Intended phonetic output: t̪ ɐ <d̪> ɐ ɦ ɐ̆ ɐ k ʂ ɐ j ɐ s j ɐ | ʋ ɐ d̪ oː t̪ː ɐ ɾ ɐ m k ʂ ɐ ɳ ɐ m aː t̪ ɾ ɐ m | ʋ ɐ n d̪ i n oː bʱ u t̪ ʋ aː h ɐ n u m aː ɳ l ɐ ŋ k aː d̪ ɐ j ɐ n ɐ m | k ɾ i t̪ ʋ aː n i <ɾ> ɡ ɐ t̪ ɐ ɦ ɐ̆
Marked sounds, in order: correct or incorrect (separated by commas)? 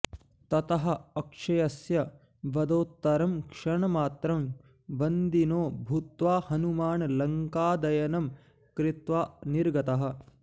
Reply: incorrect, correct